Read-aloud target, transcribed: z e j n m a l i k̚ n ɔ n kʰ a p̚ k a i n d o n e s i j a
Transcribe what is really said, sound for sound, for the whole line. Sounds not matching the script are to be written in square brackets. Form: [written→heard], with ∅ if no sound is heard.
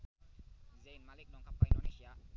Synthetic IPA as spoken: z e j n m a l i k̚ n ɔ [n→ŋ] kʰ a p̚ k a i n d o n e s i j a